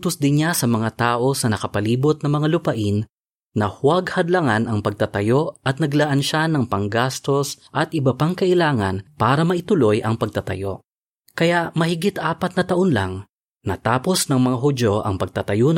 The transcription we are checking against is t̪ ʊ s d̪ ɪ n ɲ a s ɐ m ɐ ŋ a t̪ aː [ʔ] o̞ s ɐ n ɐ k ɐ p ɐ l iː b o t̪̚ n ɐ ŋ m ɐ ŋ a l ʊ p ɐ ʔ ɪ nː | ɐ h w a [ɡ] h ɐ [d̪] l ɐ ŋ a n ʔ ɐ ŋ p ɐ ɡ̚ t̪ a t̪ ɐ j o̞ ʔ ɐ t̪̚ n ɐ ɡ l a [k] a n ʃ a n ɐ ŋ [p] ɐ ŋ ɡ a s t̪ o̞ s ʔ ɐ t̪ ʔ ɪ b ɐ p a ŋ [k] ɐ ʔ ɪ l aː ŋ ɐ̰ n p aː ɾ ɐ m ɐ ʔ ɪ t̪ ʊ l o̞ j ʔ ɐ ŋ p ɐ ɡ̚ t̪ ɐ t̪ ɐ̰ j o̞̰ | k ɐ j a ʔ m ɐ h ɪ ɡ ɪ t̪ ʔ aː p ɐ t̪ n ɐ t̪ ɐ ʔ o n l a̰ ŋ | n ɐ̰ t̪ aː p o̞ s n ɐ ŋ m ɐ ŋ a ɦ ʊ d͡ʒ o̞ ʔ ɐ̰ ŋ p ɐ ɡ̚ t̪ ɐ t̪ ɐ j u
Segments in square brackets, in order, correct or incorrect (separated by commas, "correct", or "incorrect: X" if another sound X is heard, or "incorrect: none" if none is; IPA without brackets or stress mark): correct, correct, correct, incorrect: ʔ, correct, correct